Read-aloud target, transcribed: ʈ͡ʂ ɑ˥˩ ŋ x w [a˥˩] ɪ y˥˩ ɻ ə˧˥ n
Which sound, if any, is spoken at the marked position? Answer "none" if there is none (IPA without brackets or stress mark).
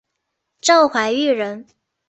a˧˥